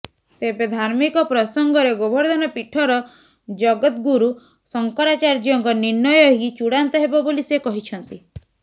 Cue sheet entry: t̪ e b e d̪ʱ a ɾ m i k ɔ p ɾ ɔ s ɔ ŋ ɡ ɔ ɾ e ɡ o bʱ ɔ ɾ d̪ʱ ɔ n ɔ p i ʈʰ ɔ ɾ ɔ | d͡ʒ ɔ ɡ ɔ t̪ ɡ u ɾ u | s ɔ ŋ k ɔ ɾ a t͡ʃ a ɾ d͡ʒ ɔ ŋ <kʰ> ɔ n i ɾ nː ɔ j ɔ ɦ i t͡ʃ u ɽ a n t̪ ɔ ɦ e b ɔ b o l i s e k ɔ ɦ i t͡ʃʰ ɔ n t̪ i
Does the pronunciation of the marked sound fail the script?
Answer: yes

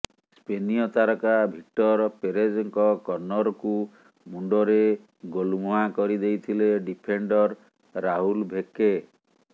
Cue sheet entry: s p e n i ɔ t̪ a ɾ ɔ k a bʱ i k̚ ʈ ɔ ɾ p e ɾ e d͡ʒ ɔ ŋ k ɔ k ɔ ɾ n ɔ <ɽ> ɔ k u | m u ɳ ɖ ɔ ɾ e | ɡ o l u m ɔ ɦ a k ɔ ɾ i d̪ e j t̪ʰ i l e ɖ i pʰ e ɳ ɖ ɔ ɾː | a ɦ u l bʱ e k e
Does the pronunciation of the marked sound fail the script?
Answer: yes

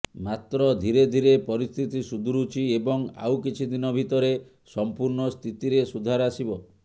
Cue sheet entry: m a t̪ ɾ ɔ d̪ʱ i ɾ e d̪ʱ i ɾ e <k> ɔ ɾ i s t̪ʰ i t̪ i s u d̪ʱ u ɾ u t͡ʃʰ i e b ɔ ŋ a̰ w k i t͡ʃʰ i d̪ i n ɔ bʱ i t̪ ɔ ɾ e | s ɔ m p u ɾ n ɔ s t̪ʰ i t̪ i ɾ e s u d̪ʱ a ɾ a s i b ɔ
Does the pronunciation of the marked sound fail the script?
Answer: yes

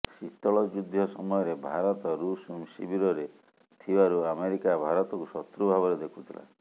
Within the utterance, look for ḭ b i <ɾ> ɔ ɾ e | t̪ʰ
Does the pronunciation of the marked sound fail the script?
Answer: no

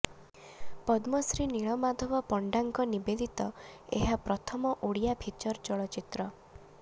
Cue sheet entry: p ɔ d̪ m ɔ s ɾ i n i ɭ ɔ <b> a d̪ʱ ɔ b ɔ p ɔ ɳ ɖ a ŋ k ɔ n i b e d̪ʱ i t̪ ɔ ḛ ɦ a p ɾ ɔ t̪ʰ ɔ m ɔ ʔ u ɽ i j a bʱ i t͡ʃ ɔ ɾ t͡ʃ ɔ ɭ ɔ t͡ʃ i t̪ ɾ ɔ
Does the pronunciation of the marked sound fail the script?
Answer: yes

